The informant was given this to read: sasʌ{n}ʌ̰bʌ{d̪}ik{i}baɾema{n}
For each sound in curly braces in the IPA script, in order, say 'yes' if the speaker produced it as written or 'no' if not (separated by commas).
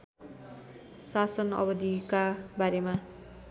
yes, yes, no, no